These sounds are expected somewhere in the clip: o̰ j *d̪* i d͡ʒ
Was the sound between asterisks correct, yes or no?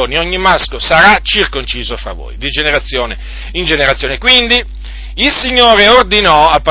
yes